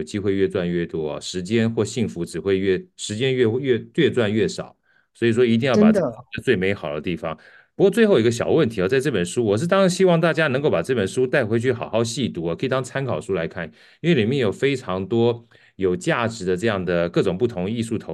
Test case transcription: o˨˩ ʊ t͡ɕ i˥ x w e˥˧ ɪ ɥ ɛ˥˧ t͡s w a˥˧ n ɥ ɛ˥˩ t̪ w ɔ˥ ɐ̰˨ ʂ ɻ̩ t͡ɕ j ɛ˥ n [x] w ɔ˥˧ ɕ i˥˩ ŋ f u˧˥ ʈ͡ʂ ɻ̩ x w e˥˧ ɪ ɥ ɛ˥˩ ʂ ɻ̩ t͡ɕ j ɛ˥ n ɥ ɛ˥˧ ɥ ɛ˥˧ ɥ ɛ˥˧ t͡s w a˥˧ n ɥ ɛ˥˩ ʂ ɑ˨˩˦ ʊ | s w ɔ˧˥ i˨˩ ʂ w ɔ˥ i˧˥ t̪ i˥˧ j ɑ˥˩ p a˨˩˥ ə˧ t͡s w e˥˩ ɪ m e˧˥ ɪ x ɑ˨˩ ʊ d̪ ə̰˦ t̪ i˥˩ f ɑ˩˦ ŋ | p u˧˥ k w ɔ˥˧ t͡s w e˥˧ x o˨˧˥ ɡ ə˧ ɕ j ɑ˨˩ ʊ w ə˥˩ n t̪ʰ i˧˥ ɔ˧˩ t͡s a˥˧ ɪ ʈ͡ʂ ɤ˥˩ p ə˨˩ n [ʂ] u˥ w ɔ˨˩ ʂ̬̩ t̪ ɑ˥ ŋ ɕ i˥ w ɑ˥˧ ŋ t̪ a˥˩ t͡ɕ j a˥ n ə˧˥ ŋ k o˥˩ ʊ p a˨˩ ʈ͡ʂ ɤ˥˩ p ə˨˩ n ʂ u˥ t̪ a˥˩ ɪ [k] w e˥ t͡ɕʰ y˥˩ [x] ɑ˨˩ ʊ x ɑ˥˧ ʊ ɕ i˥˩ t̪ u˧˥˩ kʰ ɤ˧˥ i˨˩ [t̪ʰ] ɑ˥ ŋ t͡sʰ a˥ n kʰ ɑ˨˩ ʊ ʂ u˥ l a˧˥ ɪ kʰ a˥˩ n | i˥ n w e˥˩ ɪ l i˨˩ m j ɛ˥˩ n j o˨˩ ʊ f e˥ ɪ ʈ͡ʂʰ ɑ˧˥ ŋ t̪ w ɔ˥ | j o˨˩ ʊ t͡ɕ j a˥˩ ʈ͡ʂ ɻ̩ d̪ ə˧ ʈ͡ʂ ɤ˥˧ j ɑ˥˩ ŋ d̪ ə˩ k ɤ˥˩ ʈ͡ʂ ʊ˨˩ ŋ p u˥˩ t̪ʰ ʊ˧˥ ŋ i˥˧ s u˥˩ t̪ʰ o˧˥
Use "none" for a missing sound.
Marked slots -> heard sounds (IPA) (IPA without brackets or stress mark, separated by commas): x, ʂ, x, x, t̪